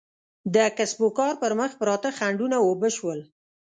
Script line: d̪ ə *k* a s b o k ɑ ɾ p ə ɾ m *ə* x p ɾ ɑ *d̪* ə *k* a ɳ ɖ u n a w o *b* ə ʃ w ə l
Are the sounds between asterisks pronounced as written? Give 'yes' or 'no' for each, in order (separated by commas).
yes, yes, no, no, yes